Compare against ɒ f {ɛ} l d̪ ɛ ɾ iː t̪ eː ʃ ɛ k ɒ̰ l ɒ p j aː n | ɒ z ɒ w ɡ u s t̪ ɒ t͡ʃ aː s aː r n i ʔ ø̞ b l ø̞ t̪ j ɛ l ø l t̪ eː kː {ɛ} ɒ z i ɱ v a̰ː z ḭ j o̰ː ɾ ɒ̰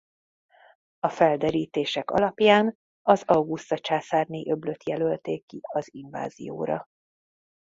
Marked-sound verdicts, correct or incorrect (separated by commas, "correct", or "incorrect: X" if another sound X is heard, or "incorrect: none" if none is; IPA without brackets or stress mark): correct, incorrect: i